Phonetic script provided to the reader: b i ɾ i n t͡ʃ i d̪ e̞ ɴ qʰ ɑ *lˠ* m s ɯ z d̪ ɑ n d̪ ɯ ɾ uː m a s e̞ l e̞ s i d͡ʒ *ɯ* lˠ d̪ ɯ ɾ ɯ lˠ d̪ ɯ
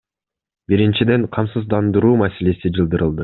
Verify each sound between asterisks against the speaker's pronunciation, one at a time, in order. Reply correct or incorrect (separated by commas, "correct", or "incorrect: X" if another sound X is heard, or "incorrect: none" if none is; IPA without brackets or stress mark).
incorrect: none, correct